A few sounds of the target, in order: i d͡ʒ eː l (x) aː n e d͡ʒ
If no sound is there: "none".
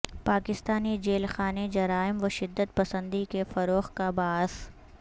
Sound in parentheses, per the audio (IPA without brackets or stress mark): x